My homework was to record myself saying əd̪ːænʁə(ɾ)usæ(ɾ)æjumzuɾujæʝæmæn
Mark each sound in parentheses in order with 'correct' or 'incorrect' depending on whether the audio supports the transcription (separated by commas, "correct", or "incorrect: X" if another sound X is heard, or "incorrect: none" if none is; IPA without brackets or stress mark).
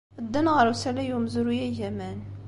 correct, incorrect: l